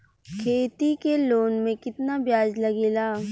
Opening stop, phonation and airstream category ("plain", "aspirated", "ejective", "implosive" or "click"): aspirated